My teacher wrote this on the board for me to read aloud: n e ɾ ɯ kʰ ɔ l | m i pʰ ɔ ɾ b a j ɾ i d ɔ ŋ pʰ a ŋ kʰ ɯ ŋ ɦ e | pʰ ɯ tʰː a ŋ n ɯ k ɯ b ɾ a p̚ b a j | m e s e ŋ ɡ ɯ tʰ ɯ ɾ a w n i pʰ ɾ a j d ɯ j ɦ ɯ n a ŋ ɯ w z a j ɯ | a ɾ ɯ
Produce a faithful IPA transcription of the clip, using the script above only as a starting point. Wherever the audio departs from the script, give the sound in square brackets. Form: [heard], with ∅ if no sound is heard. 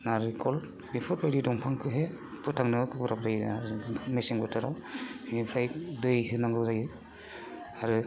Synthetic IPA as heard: n [a] ɾ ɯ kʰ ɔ l | [b] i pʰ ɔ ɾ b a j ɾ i d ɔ ŋ pʰ a ŋ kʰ ɯ [∅] ɦ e | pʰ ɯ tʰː a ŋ n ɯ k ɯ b ɾ a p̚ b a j | m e s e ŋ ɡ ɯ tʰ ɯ ɾ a w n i pʰ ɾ a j d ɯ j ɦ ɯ n a ŋ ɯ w z a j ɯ | a ɾ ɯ